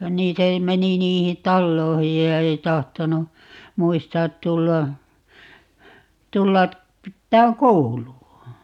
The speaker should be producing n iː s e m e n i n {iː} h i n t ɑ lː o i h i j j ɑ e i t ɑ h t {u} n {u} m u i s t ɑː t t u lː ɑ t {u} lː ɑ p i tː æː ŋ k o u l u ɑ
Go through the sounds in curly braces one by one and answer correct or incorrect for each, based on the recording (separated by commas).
correct, incorrect, correct, correct